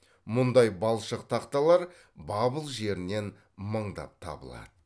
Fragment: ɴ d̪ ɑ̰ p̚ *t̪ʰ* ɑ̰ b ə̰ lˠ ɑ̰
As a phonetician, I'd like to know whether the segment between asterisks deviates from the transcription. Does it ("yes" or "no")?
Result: no